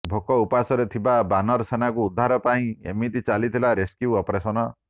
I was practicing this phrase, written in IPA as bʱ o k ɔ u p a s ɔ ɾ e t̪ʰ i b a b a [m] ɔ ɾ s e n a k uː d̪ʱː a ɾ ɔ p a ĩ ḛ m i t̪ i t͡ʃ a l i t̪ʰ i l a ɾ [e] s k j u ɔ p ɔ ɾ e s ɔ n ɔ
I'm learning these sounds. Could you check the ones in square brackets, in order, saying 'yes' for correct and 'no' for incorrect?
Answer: no, yes

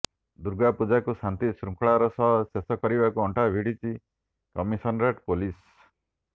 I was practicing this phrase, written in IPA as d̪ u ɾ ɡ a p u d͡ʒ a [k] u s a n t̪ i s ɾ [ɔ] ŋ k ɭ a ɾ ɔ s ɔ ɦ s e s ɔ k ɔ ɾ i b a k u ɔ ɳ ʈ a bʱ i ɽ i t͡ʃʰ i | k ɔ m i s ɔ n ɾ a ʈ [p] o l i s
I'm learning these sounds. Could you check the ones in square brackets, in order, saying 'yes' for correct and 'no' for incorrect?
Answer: yes, no, yes

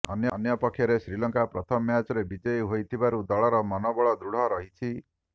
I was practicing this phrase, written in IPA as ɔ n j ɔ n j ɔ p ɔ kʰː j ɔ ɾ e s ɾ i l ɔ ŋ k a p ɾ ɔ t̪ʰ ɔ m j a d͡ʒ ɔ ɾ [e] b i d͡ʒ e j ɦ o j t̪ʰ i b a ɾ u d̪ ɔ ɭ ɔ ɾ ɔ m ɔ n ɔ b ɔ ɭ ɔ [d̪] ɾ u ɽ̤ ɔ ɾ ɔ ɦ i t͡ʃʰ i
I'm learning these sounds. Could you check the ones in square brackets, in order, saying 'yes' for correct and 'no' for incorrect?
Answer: yes, yes

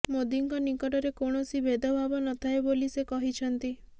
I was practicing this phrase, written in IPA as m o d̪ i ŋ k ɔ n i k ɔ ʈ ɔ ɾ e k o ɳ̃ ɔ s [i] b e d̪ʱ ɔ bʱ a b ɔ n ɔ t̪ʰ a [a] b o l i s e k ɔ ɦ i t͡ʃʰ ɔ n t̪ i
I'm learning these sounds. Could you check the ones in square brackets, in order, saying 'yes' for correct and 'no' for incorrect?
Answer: yes, no

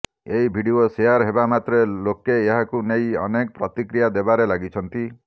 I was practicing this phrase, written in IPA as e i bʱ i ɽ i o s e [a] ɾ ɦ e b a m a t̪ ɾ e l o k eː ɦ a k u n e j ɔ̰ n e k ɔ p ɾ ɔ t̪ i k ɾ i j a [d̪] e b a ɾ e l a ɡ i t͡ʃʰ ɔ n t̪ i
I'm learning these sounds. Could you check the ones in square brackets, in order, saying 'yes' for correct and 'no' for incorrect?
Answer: yes, yes

